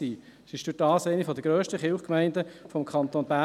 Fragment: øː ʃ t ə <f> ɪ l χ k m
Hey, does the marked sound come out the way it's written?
no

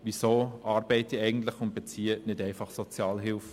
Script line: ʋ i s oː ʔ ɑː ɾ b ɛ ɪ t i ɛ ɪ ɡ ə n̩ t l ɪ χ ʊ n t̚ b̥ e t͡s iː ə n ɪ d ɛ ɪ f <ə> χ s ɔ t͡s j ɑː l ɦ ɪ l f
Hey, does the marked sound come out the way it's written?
no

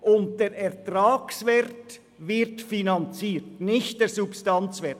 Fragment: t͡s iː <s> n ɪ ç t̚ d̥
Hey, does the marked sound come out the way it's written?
no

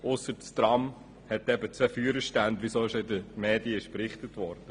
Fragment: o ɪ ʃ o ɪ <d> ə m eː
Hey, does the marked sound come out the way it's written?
yes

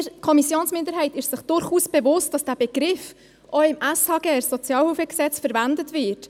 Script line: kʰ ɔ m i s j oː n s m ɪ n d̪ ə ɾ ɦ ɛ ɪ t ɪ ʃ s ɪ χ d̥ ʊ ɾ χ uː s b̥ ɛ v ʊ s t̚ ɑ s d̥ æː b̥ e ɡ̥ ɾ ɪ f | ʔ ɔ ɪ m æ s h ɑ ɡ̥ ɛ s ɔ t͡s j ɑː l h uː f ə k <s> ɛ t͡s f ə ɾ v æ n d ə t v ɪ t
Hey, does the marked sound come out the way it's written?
yes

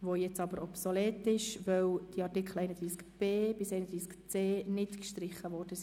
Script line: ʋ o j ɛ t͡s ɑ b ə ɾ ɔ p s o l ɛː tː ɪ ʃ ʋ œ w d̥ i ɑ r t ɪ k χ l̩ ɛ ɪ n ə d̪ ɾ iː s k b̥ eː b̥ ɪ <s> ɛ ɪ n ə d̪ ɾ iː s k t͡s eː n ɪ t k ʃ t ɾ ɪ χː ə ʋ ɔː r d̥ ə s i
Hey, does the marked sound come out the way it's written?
yes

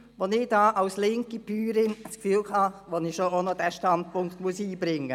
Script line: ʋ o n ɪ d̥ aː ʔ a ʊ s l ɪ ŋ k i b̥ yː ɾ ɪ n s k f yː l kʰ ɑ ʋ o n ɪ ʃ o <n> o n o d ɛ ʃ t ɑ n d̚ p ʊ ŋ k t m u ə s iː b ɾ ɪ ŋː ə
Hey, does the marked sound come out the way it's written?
no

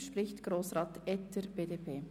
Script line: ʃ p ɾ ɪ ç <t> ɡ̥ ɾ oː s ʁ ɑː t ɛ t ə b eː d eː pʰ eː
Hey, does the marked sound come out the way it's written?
yes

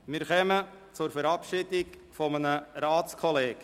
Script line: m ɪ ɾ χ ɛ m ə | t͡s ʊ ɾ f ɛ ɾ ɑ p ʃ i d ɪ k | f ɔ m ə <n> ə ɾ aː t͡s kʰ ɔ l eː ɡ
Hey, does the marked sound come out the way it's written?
yes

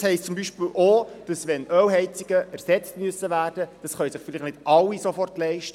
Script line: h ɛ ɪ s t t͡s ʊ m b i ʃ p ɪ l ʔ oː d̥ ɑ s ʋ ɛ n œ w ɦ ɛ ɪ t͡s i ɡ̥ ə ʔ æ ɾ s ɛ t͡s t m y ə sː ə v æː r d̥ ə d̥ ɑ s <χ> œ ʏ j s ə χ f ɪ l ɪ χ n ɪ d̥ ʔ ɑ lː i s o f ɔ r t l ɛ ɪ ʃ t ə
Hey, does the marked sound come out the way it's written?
yes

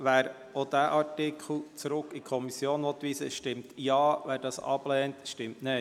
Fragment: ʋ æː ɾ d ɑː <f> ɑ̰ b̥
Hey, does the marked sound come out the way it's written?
no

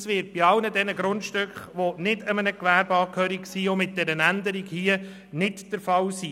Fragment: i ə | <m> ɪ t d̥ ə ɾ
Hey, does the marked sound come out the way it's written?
no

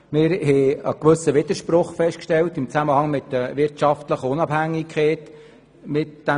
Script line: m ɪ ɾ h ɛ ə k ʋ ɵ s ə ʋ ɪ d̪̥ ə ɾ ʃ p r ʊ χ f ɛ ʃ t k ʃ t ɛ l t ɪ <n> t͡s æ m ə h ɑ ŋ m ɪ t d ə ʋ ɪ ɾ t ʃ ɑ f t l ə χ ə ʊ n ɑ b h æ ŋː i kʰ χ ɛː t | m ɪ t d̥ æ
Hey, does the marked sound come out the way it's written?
no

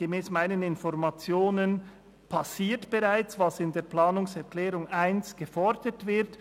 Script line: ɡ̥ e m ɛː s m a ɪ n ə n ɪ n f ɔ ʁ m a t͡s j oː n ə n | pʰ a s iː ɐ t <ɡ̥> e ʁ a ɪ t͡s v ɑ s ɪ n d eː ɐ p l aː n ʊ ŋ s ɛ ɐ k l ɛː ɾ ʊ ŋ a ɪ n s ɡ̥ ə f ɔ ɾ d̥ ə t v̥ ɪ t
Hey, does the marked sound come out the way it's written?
no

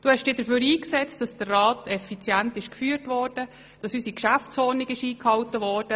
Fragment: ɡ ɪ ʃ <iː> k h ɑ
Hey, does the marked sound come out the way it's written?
yes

